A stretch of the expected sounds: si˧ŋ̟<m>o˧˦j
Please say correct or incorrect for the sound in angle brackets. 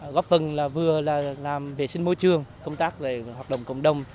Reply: correct